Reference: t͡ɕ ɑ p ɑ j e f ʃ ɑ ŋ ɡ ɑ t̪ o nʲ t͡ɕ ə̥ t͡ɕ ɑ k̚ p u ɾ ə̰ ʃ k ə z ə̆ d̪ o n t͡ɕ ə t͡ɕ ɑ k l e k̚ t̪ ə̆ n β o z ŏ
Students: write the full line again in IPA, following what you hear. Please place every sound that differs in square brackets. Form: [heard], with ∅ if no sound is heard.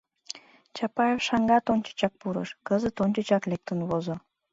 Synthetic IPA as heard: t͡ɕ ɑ p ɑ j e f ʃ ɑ ŋ ɡ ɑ t̪ o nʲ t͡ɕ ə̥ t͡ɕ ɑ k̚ p u ɾ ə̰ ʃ k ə z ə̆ [t̪] o n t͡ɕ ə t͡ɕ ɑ k l e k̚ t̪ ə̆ n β o z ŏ

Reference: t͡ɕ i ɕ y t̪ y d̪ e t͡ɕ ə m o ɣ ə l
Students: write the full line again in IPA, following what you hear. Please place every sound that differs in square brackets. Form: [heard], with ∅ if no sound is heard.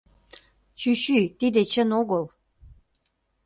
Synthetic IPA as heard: t͡ɕ [y] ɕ y t̪ [i] d̪ e t͡ɕ ə [n] o ɣ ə l

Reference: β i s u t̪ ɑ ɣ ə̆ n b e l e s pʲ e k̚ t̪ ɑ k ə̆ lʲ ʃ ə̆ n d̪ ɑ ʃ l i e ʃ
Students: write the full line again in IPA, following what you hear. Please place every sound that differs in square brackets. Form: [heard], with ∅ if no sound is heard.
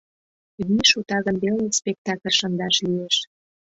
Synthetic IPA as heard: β i [ʃ] u t̪ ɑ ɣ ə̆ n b e l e s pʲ e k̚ t̪ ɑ k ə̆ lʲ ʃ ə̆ n d̪ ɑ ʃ l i e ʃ

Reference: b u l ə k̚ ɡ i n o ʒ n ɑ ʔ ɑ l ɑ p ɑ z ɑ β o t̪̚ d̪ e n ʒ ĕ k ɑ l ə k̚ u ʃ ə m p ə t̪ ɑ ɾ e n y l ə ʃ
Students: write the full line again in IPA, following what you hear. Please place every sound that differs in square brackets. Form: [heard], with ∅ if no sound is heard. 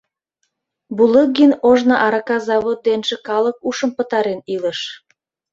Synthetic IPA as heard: b u l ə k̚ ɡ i n o ʒ n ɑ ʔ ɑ [ɾ] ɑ [k] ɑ z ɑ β o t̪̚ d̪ e n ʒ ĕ k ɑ l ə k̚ u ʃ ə m p ə t̪ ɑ ɾ e n [i] l ə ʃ

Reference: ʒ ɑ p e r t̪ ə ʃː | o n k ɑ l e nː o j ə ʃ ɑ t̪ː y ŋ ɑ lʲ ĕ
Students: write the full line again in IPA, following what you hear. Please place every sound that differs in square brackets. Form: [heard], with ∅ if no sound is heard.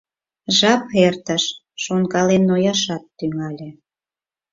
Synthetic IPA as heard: ʒ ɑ p e r t̪ ə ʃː | o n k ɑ l e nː o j [ɑ] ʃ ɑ t̪ː y ŋ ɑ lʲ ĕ

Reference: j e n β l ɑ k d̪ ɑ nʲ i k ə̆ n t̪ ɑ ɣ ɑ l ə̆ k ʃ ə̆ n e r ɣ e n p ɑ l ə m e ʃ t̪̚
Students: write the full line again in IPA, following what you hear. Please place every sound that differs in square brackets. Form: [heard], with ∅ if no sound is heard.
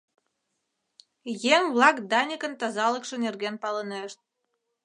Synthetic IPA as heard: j e [ŋ] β l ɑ k d̪ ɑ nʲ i k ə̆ n t̪ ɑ [z] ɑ l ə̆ k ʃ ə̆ n e r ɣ e n p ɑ l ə [n] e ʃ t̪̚

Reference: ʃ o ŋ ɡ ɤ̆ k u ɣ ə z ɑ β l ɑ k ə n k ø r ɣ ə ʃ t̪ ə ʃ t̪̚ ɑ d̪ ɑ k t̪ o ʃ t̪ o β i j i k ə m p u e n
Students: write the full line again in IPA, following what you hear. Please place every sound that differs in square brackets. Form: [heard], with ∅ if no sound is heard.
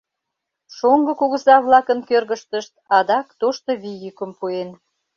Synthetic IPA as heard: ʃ o ŋ ɡ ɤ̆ k u ɣ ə z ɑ β l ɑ k ə n k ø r ɣ ə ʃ t̪ ə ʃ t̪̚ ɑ d̪ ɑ k t̪ o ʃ t̪ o β i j [y] k ə m p u e n

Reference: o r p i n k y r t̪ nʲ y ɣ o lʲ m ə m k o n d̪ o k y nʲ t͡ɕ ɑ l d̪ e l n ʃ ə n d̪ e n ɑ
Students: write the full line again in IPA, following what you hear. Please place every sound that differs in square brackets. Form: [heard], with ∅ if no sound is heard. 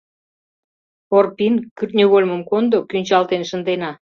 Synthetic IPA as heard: o r p i n k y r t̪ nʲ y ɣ o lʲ m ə m k o n d̪ o k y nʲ t͡ɕ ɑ l [t̪] e [∅] n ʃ ə n d̪ e n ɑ

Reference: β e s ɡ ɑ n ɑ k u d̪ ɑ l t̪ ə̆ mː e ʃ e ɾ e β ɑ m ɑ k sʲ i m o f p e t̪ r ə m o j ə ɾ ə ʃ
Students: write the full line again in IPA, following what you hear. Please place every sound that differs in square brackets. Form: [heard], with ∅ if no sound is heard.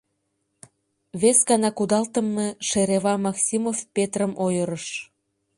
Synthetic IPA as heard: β e s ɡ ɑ n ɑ k u d̪ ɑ l t̪ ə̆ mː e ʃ e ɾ e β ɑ m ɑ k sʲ i m o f p e t̪ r ə m o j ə ɾ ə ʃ

